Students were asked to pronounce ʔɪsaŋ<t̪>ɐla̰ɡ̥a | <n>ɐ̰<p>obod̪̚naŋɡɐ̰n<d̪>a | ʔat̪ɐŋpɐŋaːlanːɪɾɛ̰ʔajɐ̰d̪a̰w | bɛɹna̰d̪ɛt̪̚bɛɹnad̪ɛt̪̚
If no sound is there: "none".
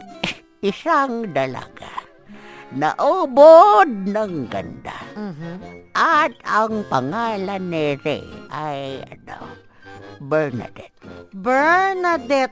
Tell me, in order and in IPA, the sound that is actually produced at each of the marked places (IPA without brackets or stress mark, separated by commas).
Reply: d̪, n, ʔ, d̪